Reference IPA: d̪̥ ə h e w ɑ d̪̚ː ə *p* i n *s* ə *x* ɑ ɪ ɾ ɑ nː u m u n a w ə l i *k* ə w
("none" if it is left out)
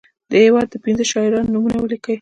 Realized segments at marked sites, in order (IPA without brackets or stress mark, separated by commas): p, z, ʃ, k